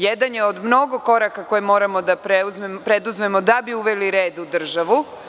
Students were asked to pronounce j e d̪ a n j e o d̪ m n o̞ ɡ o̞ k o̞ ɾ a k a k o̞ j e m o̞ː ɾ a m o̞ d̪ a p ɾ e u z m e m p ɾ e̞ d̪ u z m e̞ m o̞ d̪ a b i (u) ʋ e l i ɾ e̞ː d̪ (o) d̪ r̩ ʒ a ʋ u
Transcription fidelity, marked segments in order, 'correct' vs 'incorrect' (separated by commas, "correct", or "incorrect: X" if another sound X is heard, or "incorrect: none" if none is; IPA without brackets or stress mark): correct, incorrect: u